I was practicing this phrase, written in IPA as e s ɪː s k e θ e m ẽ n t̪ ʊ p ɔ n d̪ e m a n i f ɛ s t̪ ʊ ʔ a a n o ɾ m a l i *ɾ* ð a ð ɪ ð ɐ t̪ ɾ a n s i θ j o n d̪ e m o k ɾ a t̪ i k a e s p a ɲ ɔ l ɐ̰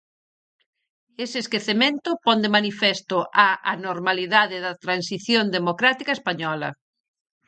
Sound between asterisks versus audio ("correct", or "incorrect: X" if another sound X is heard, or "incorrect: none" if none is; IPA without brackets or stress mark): incorrect: none